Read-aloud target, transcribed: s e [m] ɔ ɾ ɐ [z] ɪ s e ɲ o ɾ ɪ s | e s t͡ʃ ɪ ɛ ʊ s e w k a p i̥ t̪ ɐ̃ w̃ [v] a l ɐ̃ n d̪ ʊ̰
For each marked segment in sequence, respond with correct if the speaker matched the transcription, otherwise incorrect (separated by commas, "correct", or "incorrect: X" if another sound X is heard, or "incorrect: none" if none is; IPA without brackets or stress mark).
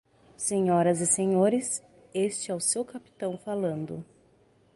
incorrect: ɲ, correct, incorrect: f